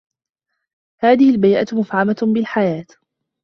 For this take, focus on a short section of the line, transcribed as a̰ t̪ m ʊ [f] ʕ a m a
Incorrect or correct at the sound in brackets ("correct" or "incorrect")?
correct